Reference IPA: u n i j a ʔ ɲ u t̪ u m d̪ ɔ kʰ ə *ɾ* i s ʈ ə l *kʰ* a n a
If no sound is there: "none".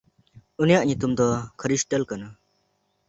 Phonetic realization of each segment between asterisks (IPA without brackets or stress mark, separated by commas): ɾ, k